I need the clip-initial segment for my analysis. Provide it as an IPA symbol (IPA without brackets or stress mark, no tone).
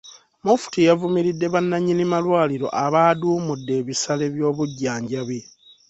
m